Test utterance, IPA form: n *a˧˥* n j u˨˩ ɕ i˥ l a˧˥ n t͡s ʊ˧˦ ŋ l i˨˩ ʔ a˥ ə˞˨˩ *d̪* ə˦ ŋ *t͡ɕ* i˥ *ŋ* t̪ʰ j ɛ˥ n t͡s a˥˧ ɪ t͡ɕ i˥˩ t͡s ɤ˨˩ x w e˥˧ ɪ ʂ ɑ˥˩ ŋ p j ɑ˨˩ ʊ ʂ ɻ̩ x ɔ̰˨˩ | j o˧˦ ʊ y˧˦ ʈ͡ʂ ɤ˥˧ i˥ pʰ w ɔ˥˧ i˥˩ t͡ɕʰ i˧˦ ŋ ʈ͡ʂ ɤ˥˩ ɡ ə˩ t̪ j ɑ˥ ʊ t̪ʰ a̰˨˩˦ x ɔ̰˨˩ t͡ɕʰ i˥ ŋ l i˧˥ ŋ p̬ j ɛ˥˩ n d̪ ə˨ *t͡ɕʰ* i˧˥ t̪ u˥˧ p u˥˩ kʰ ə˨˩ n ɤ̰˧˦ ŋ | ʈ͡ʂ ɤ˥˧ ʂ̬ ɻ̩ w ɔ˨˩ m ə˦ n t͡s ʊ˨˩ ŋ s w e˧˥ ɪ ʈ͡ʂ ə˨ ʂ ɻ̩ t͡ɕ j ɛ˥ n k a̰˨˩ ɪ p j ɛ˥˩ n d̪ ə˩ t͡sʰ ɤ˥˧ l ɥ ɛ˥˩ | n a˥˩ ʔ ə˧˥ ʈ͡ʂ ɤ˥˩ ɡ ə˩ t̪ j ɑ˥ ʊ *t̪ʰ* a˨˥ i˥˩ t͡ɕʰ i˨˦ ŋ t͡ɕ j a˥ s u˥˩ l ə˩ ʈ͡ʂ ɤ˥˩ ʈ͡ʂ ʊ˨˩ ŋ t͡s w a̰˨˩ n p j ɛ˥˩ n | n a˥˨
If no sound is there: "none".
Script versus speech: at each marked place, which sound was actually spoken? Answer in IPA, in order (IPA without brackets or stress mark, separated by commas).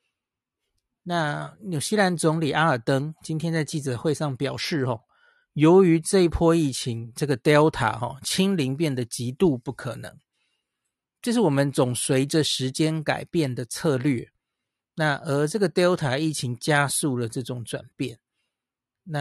a˥˨, t̪, t͡ɕ, n, t͡ɕ, t̪ʰ